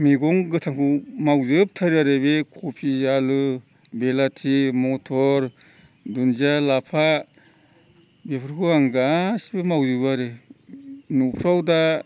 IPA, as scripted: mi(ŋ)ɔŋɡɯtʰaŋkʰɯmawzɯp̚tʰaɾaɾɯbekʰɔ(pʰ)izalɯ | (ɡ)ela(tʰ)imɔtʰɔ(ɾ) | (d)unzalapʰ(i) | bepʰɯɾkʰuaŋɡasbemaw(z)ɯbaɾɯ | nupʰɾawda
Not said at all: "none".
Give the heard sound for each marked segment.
ɡ, pʰ, b, tʰ, ɾ, d, a, z

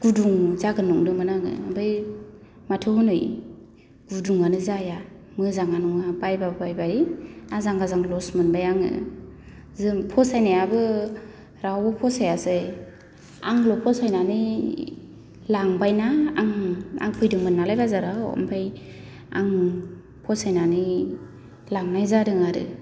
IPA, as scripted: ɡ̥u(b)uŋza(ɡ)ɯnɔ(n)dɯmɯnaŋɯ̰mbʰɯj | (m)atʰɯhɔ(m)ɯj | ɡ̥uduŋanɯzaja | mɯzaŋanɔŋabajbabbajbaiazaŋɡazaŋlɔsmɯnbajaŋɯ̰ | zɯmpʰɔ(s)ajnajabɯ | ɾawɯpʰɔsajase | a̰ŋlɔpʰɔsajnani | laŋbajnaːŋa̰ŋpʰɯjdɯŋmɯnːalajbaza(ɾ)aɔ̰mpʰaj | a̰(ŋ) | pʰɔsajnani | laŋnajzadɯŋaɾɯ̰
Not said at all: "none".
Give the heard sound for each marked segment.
d, ɡ, ŋ, m, n, s, ɾ, ŋ

